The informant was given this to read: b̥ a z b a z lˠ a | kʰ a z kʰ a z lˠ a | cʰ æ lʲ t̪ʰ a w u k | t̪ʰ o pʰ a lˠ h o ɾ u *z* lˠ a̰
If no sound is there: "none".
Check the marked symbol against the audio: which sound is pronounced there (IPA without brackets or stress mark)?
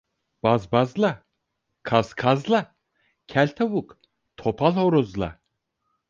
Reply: z